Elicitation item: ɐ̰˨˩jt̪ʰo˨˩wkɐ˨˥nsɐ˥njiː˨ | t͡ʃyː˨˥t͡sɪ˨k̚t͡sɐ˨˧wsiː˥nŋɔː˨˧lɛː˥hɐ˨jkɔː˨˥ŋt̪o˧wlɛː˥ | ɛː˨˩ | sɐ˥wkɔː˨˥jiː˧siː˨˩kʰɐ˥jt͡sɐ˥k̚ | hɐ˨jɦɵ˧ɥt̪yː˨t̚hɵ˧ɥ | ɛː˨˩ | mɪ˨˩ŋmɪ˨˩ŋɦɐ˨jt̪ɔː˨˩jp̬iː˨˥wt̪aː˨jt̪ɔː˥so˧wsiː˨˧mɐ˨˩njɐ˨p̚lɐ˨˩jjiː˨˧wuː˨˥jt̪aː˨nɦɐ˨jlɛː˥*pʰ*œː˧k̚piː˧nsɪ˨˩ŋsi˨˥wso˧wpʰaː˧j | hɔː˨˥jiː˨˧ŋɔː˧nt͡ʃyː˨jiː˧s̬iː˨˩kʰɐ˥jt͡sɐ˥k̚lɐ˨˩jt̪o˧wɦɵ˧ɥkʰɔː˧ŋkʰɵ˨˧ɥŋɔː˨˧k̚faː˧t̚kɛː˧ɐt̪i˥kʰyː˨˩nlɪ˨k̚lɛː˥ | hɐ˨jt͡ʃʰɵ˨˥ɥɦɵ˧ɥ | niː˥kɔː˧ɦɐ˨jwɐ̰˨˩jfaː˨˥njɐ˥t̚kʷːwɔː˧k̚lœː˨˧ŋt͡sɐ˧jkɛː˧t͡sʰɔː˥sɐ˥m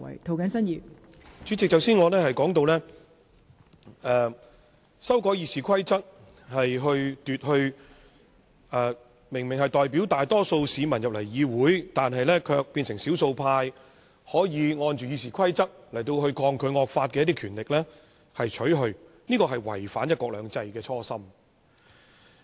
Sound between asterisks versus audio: incorrect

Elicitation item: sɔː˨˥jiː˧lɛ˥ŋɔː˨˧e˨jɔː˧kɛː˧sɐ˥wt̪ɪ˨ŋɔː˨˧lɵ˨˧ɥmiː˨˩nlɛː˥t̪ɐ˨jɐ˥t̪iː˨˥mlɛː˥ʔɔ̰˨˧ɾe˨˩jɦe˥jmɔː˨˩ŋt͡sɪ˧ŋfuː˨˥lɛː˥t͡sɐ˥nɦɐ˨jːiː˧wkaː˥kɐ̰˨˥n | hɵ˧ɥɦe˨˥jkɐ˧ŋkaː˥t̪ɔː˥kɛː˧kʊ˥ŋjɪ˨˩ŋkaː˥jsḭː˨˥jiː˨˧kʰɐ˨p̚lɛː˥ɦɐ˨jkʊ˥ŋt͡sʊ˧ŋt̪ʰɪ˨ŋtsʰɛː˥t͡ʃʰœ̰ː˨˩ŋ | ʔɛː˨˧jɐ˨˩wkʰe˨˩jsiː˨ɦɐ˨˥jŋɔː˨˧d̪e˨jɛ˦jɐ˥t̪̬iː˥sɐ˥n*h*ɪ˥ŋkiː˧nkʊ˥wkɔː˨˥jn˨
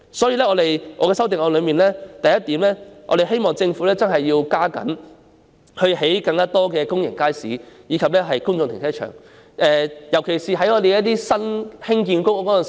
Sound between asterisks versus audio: correct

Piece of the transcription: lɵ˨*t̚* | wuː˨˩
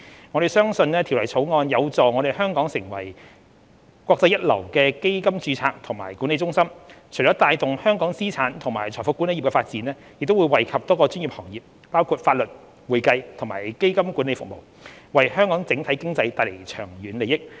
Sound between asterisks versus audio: correct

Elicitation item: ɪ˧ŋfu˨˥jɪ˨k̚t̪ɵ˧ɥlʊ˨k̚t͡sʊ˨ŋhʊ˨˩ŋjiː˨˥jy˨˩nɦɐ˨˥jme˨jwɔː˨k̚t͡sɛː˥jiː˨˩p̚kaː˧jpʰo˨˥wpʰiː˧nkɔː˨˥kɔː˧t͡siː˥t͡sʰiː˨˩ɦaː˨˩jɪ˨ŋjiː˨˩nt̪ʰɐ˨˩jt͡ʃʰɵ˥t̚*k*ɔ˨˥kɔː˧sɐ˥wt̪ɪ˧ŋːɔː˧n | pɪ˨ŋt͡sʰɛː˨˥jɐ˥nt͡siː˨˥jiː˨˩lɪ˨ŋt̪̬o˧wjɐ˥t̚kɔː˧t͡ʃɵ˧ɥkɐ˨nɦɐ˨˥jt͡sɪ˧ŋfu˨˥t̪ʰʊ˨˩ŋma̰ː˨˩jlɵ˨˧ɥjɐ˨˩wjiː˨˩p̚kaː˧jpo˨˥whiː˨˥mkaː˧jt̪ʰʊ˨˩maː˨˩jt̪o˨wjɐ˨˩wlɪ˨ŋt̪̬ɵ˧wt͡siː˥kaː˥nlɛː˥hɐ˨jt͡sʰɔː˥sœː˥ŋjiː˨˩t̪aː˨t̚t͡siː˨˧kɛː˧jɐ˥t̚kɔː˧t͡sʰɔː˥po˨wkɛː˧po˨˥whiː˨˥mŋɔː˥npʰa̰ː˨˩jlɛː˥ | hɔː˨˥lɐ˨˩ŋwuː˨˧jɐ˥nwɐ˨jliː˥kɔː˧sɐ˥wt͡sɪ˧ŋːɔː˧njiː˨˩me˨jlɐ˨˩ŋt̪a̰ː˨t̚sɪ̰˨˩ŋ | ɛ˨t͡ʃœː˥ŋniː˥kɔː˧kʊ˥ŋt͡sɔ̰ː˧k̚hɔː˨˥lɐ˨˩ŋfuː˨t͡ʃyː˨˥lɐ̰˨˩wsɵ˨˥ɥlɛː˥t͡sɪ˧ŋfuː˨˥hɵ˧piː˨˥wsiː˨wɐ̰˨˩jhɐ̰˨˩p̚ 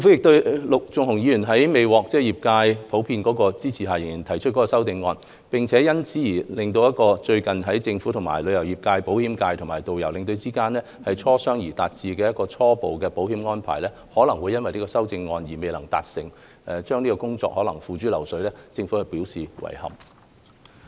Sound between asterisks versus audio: correct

